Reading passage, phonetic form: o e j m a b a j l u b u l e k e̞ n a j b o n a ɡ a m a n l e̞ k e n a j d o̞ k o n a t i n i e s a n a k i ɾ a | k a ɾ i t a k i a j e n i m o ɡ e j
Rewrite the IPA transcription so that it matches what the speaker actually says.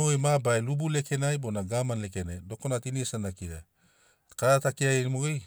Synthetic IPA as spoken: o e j m a b a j l u b u l e k e̞ n a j b o n a ɡ a m a n l e̞ k e n a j d o̞ k o n a t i n i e s a n a k i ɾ a | k a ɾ a t a k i a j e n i m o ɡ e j